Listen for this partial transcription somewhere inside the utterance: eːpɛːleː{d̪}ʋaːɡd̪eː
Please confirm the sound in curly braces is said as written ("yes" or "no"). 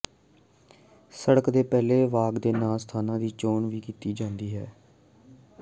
no